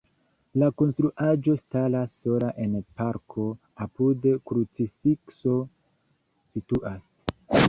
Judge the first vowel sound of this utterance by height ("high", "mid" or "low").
low